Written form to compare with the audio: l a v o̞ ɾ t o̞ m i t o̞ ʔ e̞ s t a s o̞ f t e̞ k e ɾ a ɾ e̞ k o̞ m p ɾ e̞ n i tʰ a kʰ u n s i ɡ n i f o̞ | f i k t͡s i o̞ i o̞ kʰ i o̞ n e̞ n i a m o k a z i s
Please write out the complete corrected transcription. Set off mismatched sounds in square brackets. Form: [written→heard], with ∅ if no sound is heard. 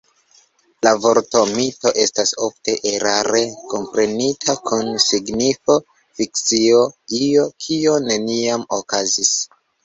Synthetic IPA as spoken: l a v o̞ ɾ t o̞ m i t o̞ ʔ e̞ s t a s o̞ f t e̞ [k→ʔ] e ɾ a ɾ e̞ k o̞ m p ɾ e̞ n i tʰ a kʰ u n s i ɡ n i f o̞ | f i k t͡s i o̞ i o̞ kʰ i o̞ n e̞ n i a m o k a z i s